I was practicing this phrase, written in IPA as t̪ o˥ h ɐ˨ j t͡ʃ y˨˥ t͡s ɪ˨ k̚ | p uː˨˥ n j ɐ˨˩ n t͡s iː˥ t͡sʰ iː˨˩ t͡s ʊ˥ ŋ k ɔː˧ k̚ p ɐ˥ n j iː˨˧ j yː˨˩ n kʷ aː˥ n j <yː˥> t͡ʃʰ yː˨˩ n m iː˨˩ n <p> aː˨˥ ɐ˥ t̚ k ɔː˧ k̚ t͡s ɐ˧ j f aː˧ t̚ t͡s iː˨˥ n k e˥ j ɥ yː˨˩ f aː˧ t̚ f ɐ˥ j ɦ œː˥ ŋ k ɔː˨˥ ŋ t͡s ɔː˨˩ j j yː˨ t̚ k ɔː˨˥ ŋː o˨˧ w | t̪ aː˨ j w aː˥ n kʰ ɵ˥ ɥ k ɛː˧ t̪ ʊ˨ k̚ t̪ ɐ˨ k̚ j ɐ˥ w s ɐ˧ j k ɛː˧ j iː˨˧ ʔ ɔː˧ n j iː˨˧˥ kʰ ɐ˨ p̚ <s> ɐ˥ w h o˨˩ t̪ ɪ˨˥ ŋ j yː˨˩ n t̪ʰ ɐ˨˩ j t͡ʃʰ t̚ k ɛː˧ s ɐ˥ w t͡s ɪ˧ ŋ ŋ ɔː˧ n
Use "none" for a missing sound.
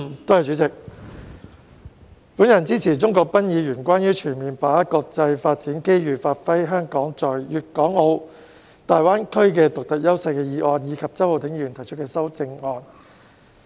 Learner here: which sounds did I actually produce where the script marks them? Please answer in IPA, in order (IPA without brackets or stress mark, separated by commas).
yː˥, p, t͡s